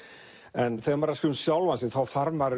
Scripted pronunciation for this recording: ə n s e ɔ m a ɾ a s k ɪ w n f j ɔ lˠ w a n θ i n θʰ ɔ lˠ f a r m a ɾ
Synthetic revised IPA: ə n θ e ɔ m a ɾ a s k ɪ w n s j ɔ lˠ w a n s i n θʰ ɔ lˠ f a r m a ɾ